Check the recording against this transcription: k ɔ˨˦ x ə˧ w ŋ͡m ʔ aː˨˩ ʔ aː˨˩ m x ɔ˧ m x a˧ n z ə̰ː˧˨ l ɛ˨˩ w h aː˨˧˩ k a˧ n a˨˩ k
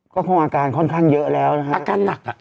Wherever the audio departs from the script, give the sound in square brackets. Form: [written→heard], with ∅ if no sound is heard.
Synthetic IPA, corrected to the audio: k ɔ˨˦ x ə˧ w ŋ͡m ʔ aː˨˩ [ʔ→k] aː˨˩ [m→n] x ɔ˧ [m→n] x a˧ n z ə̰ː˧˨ l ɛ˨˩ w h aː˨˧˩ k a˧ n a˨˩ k

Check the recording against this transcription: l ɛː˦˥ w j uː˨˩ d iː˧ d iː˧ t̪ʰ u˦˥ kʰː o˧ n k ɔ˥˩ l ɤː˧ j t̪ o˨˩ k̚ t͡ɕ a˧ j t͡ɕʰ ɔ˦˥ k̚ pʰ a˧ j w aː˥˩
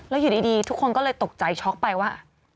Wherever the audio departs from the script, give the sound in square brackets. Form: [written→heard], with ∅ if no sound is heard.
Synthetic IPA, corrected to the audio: l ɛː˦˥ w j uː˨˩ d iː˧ d iː˧ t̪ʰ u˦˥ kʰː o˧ n k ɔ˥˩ l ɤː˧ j t̪ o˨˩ k̚ t͡ɕ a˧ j t͡ɕʰ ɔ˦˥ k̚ [pʰ→p] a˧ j w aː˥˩

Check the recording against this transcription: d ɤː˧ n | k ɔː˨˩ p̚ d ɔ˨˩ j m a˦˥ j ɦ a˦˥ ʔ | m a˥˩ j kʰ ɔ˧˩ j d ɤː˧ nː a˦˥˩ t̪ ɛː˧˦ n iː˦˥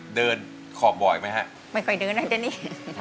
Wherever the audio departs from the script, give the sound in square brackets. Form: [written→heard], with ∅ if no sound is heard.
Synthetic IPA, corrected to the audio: d ɤː˧ n | [k→kʰ] ɔː˨˩ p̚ [d→b] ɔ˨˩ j m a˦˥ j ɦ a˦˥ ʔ | m a˥˩ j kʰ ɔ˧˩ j d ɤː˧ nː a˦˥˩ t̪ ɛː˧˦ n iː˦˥

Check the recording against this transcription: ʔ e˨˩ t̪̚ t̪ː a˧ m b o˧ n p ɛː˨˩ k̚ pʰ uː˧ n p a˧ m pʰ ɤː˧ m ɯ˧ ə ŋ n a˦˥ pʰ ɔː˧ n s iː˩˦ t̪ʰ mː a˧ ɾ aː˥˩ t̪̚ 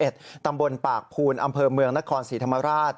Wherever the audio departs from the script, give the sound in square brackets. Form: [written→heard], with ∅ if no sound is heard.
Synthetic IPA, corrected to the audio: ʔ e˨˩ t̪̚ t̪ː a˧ m b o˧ n p [ɛː˨˩→aː˨˩] k̚ pʰ uː˧ n [p→ʔ] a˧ m pʰ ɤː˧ m ɯ˧ ə ŋ n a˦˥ [pʰ→kʰ] ɔː˧ n s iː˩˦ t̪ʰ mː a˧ ɾ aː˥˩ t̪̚

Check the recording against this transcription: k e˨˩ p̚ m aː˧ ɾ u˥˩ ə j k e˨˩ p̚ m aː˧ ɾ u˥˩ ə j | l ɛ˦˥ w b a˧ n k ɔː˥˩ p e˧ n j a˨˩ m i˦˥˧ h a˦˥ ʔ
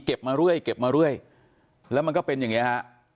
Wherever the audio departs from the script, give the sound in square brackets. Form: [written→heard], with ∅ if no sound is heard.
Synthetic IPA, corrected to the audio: k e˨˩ p̚ m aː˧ ɾ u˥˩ ə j k e˨˩ p̚ m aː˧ ɾ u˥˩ ə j | l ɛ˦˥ w [b→m] a˧ n k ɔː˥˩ p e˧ n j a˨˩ [m→ŋ] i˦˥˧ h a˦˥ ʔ

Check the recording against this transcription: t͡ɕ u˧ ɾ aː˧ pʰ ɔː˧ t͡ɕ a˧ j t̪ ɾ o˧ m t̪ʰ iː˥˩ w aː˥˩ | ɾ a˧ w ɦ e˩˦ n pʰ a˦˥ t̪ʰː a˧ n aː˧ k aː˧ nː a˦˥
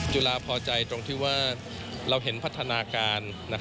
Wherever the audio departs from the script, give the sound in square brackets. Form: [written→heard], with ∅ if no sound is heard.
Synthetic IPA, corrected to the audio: t͡ɕ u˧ [ɾ→l] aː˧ pʰ ɔː˧ t͡ɕ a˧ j t̪ ɾ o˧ [m→ŋ] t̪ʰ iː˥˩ w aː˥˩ | ɾ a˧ w ɦ e˩˦ n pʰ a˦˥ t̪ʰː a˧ n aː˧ k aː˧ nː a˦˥

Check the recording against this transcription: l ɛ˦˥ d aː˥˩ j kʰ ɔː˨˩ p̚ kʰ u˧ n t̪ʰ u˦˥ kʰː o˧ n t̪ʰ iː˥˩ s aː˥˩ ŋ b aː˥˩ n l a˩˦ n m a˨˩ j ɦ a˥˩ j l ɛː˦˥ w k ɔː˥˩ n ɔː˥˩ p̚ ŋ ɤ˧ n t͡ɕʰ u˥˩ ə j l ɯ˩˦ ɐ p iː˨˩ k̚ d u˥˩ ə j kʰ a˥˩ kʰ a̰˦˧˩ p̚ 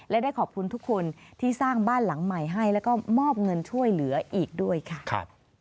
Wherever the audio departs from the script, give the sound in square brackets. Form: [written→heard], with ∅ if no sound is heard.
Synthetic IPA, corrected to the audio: l ɛ˦˥ d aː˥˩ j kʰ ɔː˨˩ p̚ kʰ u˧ n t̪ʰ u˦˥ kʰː o˧ n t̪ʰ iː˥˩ s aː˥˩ ŋ b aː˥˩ n l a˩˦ [n→ŋ] m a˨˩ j ɦ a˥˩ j l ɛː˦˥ w k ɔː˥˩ [n→m] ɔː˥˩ p̚ ŋ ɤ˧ n t͡ɕʰ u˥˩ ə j l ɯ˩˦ ɐ [p→ʔ] iː˨˩ k̚ d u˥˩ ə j kʰ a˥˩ kʰ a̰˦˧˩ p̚

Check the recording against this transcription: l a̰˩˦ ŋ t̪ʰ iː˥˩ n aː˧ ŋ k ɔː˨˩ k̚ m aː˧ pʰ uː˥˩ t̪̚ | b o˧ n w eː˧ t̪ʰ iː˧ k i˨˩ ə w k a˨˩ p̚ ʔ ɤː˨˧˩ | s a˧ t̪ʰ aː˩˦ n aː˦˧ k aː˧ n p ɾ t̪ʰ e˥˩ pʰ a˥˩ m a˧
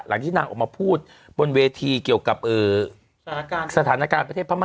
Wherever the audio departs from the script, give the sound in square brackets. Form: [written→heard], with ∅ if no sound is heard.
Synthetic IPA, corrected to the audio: l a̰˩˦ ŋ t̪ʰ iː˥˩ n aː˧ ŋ [k→ʔ] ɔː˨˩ k̚ m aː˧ pʰ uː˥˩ t̪̚ | b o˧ n w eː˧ t̪ʰ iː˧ k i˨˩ ə w k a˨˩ p̚ ʔ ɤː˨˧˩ | s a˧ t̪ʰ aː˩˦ n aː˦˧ k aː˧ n p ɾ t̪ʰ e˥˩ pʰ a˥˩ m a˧

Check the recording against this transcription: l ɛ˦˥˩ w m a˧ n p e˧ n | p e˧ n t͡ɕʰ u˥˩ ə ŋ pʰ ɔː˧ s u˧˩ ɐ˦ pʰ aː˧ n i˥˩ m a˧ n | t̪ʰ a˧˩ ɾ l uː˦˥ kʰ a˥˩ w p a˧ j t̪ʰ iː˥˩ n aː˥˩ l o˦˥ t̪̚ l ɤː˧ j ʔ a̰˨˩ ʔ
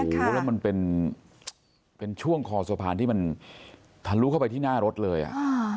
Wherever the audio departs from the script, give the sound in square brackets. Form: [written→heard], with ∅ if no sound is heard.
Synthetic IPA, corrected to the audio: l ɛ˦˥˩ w m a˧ n p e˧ n | p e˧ n t͡ɕʰ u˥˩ ə ŋ [pʰ→kʰ] ɔː˧ s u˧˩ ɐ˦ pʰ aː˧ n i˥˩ m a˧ n | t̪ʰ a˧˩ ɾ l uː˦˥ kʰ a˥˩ w p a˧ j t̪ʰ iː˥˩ n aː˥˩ [l→ɾ] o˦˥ t̪̚ l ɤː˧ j ʔ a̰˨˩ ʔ

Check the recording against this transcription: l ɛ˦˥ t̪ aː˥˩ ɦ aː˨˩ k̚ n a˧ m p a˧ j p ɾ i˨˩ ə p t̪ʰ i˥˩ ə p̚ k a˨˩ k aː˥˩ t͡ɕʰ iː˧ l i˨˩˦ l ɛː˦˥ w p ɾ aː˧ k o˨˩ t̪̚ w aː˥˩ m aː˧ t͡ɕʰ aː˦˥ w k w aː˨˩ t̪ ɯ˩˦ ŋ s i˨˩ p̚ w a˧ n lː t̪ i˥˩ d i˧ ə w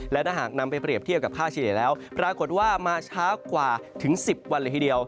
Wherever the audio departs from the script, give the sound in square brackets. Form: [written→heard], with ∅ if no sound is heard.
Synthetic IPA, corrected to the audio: l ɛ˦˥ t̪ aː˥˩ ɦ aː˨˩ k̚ n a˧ m p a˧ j p ɾ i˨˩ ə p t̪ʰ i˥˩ ə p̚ k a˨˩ [k→kʰ] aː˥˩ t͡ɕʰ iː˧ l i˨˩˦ l ɛː˦˥ w p ɾ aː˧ k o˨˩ t̪̚ w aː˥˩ m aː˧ t͡ɕʰ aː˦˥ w k w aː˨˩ [t̪→t̪ʰ] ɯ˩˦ ŋ s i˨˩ p̚ w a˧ n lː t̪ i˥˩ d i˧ ə w

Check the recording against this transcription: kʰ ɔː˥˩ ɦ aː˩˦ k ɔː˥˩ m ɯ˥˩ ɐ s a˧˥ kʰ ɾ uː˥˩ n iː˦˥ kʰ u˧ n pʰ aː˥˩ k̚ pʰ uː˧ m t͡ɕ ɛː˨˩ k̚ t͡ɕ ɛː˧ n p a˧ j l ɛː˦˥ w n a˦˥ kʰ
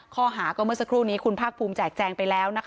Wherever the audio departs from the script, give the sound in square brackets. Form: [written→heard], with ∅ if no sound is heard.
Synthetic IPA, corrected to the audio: kʰ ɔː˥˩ ɦ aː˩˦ k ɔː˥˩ m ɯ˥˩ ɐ s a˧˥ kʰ ɾ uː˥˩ n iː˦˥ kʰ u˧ n pʰ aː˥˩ k̚ pʰ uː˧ m t͡ɕ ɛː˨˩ k̚ t͡ɕ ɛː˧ [n→ŋ] p a˧ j l ɛː˦˥ w n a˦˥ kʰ

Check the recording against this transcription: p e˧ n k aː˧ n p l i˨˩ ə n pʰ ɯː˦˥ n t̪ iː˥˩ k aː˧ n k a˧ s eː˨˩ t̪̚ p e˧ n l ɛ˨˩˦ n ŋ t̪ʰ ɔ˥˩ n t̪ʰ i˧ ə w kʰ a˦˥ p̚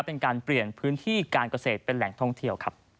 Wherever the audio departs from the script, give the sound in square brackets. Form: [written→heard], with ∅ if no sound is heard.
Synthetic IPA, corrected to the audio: p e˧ n k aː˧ n p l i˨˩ ə n pʰ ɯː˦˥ n [t̪→t̪ʰ] iː˥˩ k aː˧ n k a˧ s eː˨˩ t̪̚ p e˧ n l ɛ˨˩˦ [n→∅] ŋ t̪ʰ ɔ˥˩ [n→ŋ] t̪ʰ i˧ ə w kʰ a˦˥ p̚

